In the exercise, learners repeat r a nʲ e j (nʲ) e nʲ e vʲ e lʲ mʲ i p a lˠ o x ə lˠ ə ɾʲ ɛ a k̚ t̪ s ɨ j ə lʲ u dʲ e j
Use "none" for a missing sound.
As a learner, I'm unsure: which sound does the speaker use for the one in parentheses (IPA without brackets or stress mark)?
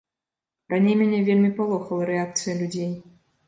mʲ